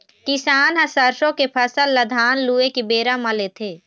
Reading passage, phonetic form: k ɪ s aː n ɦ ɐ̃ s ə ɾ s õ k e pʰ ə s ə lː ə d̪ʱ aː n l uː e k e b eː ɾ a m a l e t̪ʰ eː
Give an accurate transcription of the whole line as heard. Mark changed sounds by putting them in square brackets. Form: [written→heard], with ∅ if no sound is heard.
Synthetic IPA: k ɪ s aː n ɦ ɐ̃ s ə ɾ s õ k e pʰ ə s ə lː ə d̪ʱ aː n l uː e k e b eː ɾ a m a l e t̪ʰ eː